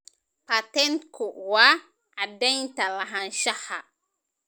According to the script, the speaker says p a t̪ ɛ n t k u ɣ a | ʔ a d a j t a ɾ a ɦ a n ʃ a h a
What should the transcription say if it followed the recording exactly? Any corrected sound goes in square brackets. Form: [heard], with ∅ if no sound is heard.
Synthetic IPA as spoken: p a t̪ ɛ n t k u [w] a | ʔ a d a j t a [l] a ɦ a n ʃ a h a